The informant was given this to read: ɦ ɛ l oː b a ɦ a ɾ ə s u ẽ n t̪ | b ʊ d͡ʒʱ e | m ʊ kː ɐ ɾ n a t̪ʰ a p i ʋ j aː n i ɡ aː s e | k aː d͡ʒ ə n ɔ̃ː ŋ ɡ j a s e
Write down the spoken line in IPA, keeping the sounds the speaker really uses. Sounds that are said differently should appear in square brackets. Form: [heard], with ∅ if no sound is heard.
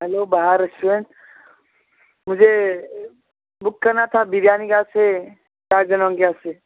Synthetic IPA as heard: ɦ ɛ l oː b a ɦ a ɾ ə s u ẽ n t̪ | [m] ʊ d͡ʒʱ e | [b] ʊ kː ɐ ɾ n a t̪ʰ a [b] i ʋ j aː n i ɡ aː s e | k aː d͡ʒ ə n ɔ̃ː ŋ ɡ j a s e